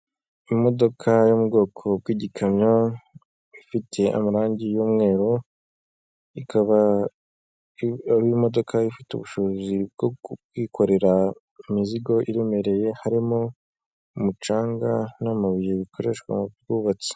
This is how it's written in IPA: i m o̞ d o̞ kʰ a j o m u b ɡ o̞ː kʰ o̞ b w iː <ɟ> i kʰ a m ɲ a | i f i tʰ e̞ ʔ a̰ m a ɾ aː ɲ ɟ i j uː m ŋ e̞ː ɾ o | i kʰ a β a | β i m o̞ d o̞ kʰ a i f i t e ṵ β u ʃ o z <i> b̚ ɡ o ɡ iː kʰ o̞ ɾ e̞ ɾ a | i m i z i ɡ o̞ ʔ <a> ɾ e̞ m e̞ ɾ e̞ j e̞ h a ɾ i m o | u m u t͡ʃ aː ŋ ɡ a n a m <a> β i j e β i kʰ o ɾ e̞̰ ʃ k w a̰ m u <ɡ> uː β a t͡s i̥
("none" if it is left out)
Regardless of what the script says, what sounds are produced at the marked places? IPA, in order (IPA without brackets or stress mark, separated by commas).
ɟ, i, i, a, ɡ